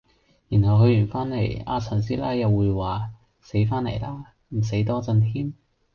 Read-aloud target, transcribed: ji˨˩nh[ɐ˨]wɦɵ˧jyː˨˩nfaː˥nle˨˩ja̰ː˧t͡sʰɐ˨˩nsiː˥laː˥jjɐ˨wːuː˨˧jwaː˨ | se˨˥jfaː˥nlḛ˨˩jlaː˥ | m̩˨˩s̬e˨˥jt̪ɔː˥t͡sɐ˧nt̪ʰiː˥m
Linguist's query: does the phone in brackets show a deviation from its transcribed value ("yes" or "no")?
no